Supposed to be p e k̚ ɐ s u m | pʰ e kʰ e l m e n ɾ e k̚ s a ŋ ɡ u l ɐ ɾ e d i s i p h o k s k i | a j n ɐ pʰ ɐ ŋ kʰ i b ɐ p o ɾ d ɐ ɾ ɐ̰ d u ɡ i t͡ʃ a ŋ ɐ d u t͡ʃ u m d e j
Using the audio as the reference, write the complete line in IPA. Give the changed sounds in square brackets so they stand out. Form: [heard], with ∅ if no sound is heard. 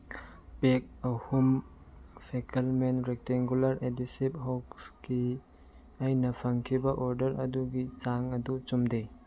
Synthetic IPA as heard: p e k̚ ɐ [h] u m | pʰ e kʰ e l m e n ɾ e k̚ [t] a ŋ ɡ u l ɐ ɾ e d i s i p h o k s k i | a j n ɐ pʰ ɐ ŋ kʰ i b ɐ [ʔ] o ɾ d ɐ ɾ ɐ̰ d u ɡ i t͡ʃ a ŋ ɐ d u t͡ʃ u m d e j